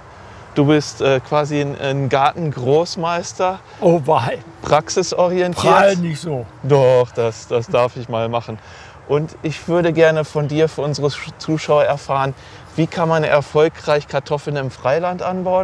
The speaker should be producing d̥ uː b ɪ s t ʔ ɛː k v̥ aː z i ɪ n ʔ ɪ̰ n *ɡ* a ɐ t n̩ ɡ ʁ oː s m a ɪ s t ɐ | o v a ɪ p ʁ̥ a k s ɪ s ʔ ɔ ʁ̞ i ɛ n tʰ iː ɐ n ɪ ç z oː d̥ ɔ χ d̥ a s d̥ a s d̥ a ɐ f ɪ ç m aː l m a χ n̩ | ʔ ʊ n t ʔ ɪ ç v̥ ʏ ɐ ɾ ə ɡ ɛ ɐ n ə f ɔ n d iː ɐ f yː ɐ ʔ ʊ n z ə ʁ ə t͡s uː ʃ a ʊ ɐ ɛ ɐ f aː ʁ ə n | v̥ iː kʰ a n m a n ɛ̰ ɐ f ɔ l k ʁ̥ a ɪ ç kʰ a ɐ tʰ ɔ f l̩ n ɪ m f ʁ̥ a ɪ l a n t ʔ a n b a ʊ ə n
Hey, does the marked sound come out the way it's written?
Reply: yes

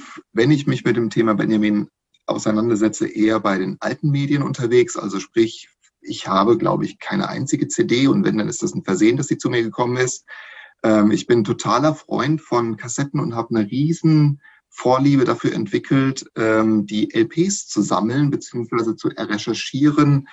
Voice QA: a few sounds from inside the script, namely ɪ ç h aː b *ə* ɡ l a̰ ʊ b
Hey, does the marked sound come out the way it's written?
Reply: yes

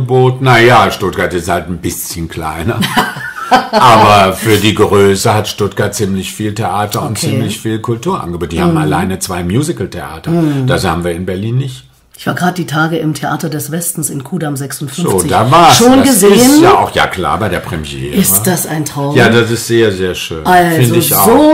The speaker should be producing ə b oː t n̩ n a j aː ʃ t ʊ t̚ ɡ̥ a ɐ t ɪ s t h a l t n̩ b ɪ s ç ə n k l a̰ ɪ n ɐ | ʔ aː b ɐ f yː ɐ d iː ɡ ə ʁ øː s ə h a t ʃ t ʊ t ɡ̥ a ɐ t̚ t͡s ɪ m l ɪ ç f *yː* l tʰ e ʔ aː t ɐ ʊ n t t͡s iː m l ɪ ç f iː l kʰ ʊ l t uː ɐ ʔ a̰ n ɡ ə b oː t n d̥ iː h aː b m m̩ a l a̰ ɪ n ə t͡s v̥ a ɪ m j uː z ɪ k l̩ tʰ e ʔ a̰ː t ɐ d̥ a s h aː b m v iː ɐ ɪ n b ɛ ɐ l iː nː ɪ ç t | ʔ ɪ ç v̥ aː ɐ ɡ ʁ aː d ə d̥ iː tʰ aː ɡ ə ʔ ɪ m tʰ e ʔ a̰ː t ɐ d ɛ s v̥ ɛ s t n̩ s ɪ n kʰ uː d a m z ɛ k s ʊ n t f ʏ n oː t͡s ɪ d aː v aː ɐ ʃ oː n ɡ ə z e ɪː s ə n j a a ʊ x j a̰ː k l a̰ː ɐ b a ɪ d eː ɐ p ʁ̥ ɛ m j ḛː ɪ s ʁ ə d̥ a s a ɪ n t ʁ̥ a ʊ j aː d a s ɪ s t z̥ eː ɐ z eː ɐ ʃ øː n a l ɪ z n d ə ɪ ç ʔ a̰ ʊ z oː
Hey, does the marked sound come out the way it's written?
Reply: no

